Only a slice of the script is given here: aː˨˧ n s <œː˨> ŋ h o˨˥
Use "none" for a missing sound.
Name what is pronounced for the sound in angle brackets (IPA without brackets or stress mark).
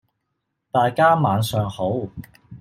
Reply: œː˨